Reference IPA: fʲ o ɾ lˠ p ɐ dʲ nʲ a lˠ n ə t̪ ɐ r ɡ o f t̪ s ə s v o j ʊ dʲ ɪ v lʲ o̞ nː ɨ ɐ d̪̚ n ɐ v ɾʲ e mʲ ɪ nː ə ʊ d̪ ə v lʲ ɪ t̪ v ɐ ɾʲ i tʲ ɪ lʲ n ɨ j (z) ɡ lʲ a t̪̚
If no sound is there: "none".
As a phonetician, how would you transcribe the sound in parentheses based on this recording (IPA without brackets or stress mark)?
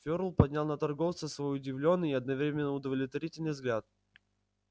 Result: z